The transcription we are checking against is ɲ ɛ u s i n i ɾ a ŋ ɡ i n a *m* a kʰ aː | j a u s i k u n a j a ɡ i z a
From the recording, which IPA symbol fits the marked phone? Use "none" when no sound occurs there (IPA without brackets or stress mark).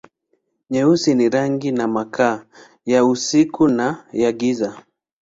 m